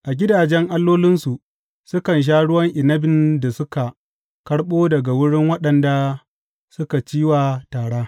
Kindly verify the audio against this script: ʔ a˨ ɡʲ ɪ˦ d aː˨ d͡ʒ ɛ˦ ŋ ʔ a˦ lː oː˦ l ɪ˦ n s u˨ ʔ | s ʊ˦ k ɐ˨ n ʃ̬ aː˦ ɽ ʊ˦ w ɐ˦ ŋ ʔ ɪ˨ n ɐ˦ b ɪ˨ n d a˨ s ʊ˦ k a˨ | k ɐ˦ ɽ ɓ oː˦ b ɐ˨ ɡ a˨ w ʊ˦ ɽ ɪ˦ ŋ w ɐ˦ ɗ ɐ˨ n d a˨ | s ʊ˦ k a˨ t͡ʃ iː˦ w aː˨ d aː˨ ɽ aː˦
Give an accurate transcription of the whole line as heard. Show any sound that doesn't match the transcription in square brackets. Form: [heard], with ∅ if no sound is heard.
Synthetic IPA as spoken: ʔ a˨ ɡʲ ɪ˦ d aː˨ d͡ʒ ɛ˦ ŋ ʔ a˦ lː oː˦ l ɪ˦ n s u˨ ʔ | s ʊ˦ k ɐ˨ n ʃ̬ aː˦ ɽ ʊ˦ w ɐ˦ ŋ ʔ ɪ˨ n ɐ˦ b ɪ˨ n d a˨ s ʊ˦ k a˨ | k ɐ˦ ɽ ɓ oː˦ [d] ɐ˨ ɡ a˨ w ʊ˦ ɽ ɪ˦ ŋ w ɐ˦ ɗ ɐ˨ n d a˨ | s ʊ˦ k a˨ t͡ʃ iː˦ w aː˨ [t] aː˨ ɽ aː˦